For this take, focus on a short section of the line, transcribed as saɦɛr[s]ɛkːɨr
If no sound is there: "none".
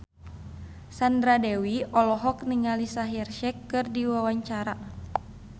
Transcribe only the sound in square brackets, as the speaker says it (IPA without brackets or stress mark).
ʃ